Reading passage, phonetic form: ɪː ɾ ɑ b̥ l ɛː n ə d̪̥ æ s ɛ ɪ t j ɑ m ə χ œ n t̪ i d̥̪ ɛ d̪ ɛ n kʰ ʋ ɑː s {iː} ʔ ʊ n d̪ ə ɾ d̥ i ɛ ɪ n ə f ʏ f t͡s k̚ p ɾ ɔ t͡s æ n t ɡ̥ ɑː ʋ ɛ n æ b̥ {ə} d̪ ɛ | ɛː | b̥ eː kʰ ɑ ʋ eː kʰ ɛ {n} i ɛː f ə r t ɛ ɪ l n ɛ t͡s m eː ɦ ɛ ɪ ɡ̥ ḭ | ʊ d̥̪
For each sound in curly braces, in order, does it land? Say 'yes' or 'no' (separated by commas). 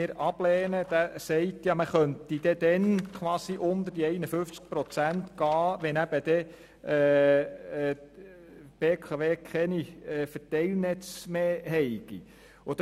no, yes, yes